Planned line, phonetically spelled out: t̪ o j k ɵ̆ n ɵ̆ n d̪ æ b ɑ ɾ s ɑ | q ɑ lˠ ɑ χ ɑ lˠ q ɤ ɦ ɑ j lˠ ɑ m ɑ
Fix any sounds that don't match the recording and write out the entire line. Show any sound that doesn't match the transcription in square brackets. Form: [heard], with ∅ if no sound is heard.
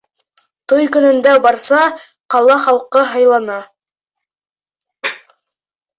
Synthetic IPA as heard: t̪ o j k ɵ̆ n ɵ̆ n d̪ æ b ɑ ɾ s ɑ | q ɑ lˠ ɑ χ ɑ lˠ q ɤ ɦ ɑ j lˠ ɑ [n] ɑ